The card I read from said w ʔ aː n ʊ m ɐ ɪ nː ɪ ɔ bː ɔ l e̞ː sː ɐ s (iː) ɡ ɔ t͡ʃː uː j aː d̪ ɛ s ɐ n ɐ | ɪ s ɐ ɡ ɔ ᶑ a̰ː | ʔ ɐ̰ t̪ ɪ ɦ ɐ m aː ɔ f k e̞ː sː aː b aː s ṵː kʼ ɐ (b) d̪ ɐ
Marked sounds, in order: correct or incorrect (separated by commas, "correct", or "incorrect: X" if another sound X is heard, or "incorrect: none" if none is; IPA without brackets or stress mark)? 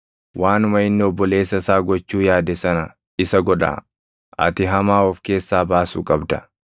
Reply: incorrect: aː, correct